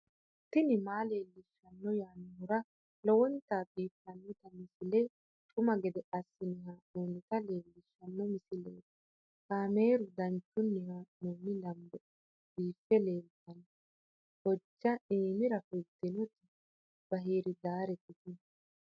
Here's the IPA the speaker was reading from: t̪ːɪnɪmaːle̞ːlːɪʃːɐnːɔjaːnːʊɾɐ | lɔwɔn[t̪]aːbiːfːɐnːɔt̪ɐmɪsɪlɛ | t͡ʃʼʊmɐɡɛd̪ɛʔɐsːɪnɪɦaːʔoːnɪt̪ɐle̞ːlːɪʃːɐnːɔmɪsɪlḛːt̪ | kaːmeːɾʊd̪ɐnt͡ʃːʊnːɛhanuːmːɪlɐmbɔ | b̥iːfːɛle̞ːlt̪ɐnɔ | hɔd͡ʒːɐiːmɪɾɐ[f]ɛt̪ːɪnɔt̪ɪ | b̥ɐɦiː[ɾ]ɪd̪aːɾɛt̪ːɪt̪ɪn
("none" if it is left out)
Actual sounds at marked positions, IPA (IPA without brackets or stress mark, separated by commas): t̪, f, ɾ